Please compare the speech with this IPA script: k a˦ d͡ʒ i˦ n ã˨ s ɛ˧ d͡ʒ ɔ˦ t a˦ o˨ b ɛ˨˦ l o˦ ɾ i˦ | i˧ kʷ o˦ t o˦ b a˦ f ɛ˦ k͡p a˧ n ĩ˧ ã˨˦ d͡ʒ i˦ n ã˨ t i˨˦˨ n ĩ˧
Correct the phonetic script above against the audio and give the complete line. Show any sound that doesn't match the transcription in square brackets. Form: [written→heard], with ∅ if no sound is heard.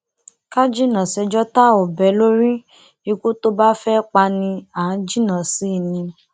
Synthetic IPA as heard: k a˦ d͡ʒ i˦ n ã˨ s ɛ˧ d͡ʒ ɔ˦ t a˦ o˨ b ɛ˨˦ l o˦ ɾ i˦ | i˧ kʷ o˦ t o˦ b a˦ f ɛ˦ k͡p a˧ n ĩ˧ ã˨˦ d͡ʒ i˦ n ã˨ [t→s] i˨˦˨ n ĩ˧